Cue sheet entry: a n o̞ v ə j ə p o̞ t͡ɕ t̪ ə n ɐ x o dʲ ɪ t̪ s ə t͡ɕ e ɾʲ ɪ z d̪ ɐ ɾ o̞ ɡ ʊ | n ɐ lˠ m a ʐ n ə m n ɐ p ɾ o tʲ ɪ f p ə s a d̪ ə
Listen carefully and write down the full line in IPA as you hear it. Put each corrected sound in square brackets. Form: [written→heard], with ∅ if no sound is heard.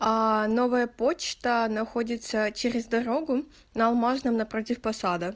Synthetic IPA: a n o̞ v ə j ə p o̞ t͡ɕ t̪ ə n ɐ x o dʲ ɪ t̪ s ə t͡ɕ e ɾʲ ɪ z d̪ ɐ ɾ o̞ ɡ ʊ | n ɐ lˠ m a ʐ n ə m n ɐ p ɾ o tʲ ɪ f p [ə→ɐ] s a d̪ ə